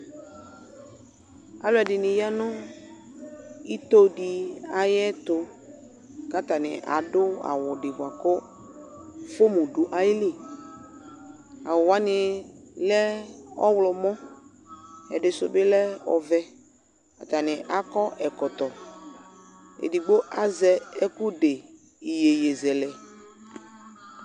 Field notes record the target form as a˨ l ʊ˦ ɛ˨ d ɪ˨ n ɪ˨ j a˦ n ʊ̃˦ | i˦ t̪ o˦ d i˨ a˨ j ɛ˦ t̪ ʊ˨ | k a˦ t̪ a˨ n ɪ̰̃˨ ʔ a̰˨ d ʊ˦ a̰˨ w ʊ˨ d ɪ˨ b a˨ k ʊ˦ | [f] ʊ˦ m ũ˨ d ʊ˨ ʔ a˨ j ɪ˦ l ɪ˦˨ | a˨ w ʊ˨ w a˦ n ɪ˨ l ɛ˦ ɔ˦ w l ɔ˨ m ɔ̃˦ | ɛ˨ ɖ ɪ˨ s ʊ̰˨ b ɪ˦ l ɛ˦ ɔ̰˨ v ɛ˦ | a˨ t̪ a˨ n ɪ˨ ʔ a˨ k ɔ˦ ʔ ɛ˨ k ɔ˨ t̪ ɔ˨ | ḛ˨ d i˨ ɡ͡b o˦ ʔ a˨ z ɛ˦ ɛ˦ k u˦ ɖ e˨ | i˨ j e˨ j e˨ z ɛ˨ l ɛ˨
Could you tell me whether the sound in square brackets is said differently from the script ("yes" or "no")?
no